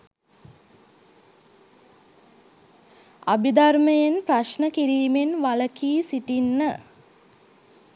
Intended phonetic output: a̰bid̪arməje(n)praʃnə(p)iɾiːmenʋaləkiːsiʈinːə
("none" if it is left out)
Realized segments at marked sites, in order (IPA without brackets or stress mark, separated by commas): n, k